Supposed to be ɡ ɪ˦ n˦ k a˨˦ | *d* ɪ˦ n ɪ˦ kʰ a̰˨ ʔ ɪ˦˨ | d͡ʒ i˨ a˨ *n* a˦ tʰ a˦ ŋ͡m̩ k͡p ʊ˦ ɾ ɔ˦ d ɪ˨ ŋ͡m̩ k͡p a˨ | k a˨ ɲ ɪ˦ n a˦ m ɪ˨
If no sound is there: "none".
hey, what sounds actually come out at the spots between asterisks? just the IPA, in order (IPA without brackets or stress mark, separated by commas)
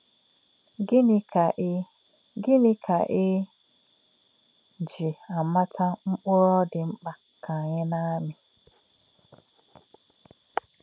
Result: ɡ, m